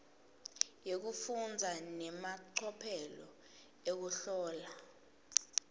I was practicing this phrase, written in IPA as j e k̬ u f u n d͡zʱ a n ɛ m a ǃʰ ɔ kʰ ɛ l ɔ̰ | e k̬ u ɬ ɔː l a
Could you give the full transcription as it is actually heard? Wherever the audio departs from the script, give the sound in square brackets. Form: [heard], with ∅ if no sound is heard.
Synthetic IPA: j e k̬ u f u n d͡zʱ a n ɛ m a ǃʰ ɔ [pʰ] ɛ l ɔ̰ | e k̬ u ɬ ɔː l a

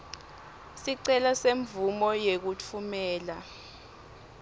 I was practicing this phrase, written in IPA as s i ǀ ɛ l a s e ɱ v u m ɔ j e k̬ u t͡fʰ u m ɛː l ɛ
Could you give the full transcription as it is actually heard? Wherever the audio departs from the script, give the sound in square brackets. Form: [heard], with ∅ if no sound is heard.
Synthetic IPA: s i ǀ ɛ l a s e ɱ v u m ɔ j e k̬ u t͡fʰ u m ɛː l [a]

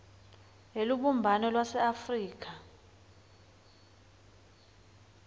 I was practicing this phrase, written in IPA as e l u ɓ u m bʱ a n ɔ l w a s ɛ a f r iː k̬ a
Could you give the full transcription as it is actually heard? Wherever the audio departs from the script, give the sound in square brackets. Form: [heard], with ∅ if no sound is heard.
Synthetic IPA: e l u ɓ u m bʱ a n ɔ l w a s ɛ a f r iː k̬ a

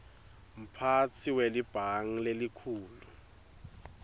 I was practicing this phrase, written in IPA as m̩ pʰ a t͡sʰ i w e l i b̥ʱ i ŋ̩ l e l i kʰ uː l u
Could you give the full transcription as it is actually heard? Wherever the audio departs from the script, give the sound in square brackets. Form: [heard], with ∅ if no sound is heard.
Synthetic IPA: m̩ pʰ a t͡sʰ i w e l i b̥ʱ [a] ŋ̩ l e l i kʰ uː l u

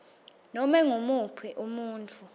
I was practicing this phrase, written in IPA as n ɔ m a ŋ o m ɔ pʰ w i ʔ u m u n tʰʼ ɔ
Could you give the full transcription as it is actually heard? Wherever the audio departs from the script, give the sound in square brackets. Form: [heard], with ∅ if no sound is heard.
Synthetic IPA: n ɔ m [ɛ] ŋ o m [u] pʰ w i ʔ u m [uː] n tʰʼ [u]

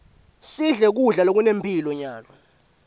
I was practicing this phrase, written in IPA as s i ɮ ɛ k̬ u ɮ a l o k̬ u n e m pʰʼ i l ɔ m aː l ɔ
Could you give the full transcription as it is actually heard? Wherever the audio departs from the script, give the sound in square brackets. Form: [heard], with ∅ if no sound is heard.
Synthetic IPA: s i ɮ ɛ k̬ u ɮ a l o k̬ u n e m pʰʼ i l ɔ [ɲ] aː l ɔ

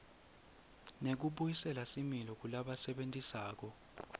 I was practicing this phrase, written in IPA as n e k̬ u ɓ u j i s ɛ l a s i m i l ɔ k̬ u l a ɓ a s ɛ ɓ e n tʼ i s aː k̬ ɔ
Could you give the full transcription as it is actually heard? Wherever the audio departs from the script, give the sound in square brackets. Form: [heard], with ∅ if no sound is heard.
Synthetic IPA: n e k̬ u ɓ u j i s ɛ l a s i m i l ɔ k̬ u l a ɓ a s ɛ ɓ e n tʼ i s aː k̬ ɔ

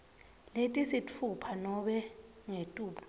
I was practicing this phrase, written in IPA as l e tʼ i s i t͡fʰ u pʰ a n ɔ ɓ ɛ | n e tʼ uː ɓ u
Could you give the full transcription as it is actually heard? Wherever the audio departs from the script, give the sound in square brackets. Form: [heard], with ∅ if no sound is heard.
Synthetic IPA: l e tʼ i s i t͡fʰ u pʰ a n ɔ ɓ ɛ | [ŋ] e tʼ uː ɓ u

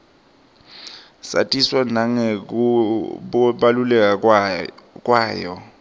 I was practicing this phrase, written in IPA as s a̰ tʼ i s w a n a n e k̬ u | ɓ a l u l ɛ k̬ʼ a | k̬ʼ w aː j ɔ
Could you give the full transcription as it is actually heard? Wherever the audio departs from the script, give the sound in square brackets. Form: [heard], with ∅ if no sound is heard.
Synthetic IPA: s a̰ tʼ i s w a n a [ŋ] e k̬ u | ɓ a l u l ɛ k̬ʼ a | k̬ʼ w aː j ɔ

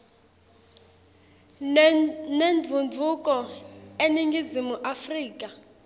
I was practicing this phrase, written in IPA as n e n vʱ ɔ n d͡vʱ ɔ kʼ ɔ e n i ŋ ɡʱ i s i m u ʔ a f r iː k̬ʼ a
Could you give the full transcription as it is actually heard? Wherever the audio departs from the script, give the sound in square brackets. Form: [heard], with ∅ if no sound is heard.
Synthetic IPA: n e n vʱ [u] n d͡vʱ [u] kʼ ɔ e n i ŋ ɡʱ i [z] i m u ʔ a f r iː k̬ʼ a

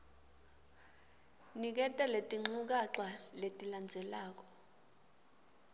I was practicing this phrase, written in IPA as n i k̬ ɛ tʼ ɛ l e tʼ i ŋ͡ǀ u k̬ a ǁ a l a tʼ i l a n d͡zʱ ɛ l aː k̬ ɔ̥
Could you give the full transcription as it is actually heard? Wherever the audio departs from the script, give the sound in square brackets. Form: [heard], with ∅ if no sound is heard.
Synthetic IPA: n i k̬ ɛ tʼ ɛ l e tʼ i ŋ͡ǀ u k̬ a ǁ a l [e] tʼ i l a n d͡zʱ ɛ l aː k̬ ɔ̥

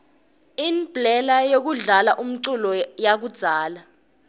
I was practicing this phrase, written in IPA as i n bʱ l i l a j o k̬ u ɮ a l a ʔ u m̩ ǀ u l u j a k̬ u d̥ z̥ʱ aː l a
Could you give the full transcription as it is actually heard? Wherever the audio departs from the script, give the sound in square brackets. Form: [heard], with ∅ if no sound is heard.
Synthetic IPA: i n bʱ l [ɛ] l a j o k̬ u ɮ a l a ʔ u m̩ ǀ u l [ɔ] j a k̬ u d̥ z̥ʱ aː l a

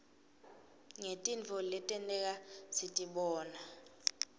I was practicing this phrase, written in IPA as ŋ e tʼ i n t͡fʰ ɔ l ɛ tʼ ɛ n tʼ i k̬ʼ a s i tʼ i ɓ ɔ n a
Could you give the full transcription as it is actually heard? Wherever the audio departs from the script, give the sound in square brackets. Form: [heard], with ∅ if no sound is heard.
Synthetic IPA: ŋ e tʼ i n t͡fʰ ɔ l ɛ tʼ ɛ n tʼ [ɛ] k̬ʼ a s i tʼ i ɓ [ɔː] n a

